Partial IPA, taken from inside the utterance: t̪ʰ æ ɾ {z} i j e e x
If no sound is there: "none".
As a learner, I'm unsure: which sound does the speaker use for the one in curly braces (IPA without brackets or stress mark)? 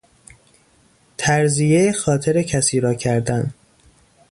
z